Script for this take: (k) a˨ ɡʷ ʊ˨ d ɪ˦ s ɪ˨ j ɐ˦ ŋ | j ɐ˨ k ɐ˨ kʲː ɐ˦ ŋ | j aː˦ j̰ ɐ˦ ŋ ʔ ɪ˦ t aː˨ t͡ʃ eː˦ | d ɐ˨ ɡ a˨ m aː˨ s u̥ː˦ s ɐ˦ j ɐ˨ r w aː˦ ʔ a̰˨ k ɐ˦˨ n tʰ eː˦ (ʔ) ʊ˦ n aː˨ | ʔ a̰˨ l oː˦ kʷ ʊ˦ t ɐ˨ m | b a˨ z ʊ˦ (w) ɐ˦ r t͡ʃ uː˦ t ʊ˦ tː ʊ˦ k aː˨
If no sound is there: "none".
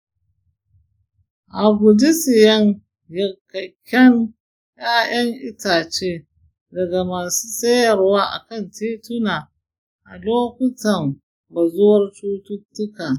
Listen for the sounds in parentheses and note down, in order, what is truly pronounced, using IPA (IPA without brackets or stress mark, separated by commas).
ʔ, t, w